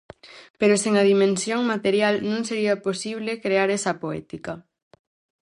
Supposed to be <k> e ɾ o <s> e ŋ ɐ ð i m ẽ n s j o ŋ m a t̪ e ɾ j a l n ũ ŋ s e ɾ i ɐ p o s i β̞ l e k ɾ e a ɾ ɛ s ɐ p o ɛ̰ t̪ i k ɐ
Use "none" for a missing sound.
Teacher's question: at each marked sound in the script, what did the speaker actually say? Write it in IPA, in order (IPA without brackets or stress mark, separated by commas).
p, s